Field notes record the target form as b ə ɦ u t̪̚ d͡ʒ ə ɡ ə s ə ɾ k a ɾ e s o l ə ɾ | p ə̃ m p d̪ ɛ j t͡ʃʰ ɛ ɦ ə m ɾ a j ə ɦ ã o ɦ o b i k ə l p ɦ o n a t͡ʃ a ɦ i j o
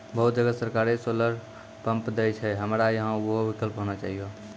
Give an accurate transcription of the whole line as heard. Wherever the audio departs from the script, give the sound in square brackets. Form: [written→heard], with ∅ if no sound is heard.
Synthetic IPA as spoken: b ə ɦ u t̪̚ d͡ʒ ə ɡ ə s ə ɾ k a ɾ e s o l ə ɾ | p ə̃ m p d̪ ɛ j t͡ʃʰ ɛ ɦ ə m ɾ a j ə ɦ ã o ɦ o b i k ə l p ɦ o n a t͡ʃ a ɦ i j o